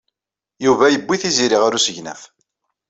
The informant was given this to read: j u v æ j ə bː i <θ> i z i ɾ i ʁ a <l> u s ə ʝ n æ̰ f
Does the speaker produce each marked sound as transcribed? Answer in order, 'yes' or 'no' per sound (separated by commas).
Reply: yes, no